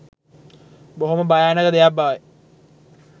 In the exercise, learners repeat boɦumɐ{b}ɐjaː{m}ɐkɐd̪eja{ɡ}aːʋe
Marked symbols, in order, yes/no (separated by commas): yes, no, no